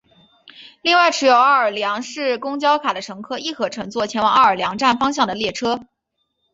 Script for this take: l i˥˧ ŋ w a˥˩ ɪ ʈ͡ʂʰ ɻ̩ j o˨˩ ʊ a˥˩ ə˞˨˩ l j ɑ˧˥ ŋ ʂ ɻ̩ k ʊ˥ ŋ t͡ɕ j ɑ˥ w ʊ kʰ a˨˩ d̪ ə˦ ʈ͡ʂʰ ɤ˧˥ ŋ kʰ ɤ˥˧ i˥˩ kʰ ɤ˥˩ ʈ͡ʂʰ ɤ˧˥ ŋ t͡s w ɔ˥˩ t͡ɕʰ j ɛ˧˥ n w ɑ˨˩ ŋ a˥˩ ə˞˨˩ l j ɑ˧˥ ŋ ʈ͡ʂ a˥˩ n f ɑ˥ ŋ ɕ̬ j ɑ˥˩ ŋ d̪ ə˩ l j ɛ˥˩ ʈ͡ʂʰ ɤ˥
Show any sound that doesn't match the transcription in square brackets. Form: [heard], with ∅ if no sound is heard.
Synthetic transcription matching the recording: l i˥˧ ŋ w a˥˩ ɪ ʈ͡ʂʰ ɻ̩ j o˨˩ ʊ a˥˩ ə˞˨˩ l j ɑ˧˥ ŋ ʂ ɻ̩ k ʊ˥ ŋ t͡ɕ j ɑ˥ [∅] ʊ kʰ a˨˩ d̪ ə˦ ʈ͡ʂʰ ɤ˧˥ ŋ kʰ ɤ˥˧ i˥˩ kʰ [ɤ˧˥] ʈ͡ʂʰ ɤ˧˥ ŋ t͡s w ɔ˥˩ t͡ɕʰ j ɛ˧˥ n w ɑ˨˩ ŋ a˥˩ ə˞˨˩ l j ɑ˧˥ ŋ ʈ͡ʂ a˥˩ n f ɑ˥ ŋ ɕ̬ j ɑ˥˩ ŋ d̪ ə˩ l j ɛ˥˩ ʈ͡ʂʰ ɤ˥